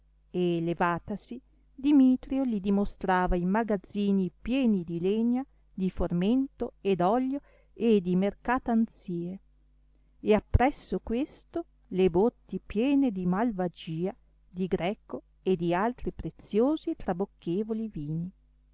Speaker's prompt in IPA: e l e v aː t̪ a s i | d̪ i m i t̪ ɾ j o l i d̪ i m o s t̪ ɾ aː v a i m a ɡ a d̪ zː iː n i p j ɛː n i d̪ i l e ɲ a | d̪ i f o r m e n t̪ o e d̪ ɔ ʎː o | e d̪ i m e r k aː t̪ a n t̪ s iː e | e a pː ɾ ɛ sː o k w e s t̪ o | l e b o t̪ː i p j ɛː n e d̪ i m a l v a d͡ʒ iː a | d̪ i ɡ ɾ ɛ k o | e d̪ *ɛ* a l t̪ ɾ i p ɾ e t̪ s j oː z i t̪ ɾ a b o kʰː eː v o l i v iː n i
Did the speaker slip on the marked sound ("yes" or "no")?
yes